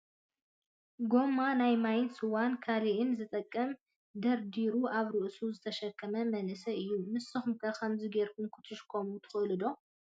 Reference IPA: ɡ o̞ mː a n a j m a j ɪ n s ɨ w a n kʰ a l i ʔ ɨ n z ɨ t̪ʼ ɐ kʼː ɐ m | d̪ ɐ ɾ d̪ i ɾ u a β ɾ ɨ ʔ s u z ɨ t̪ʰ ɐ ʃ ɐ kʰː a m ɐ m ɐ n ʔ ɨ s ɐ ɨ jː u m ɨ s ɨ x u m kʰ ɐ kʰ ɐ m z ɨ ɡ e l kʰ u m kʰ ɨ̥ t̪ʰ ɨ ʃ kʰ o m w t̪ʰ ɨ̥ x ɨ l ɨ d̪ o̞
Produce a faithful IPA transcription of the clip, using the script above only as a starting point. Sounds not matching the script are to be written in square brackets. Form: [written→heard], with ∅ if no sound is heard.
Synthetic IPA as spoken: ɡ o̞ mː a n a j m a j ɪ n s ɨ w a n kʰ a l i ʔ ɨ n z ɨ t̪ʼ ɐ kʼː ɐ m | d̪ ɐ ɾ d̪ i ɾ u a β ɾ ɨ ʔ s u z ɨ t̪ʰ ɐ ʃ ɐ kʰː [a→ɐ] m ɐ m ɐ n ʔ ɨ s ɐ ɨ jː u m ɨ s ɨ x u m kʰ ɐ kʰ ɐ m z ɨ ɡ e [l→ɾ] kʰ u m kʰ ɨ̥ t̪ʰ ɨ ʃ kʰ o m [w→u] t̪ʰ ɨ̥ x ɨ l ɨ d̪ o̞